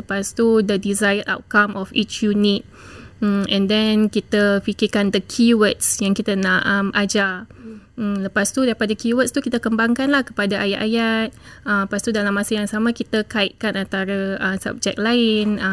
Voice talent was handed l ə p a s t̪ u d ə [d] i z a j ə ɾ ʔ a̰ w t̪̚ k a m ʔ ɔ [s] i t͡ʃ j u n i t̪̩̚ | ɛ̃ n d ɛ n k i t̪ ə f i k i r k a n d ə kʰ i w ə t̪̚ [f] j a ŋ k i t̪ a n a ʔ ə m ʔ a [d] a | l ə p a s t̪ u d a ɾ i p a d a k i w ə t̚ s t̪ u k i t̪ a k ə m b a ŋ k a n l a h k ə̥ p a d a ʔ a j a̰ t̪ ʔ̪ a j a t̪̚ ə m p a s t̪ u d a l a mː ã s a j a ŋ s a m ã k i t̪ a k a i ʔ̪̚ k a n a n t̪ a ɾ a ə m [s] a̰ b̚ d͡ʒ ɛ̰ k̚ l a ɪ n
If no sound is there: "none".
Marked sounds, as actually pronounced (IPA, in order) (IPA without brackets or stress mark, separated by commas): d, f, s, d͡ʒ, s